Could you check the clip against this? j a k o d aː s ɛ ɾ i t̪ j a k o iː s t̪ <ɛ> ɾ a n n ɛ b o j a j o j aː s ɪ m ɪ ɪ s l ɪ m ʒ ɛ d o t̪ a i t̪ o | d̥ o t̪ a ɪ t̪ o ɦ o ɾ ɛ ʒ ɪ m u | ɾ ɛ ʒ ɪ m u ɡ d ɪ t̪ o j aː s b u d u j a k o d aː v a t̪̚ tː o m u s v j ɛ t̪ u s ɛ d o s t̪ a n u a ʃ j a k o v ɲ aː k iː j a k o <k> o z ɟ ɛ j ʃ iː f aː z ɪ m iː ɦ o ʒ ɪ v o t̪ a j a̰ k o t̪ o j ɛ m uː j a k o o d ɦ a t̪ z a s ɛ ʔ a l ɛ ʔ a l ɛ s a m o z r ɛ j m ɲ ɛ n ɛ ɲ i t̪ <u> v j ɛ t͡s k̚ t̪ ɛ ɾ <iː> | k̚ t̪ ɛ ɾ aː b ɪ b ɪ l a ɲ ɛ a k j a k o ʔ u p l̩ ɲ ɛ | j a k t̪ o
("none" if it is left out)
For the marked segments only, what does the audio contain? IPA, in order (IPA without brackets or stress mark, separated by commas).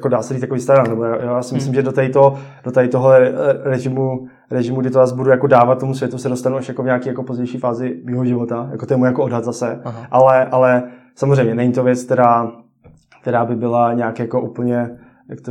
a, p, o, aː